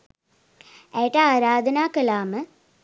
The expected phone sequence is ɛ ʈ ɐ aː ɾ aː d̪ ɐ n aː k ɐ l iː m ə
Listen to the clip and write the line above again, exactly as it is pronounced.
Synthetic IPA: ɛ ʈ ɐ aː ɾ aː d̪ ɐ n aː k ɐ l aː m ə